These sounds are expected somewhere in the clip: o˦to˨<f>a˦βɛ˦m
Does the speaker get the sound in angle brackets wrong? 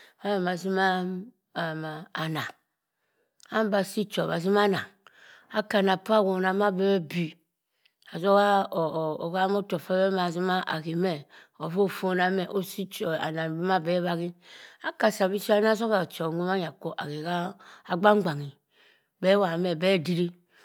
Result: no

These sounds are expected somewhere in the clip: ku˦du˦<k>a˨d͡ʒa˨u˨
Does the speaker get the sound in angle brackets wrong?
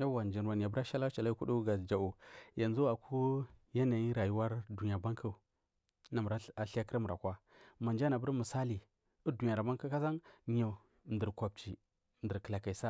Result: yes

